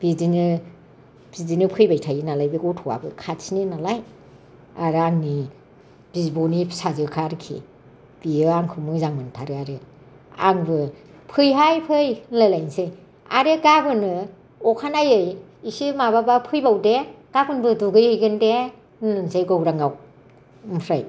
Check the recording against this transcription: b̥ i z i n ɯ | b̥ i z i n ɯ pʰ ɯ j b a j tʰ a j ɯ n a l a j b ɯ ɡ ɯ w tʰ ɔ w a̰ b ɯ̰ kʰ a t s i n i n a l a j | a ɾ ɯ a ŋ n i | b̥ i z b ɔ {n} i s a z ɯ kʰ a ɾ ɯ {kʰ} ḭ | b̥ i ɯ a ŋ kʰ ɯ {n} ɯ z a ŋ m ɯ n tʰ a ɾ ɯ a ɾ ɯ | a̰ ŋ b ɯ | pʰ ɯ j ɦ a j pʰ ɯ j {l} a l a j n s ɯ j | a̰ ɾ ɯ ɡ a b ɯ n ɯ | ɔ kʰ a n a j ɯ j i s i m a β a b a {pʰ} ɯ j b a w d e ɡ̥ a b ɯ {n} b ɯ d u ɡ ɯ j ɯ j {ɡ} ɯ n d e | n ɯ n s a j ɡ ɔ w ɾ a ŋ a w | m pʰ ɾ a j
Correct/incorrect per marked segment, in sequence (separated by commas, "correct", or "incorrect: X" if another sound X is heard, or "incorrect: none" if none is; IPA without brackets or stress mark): correct, correct, incorrect: m, correct, correct, correct, correct